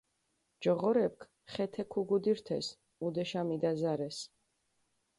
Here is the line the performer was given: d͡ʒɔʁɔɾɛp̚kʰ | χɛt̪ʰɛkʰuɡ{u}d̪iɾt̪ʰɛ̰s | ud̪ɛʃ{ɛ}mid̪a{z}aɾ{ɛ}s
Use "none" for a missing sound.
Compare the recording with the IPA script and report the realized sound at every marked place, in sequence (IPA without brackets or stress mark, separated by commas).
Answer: u, a, z, ɛ